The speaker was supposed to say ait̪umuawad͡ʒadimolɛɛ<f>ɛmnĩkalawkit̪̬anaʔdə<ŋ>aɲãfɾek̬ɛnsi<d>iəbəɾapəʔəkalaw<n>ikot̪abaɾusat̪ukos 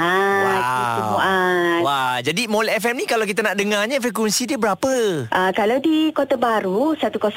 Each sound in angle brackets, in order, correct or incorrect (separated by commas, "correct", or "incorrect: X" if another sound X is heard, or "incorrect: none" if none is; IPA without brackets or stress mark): correct, correct, correct, incorrect: d